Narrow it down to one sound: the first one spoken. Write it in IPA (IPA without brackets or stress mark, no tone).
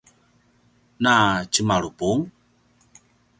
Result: n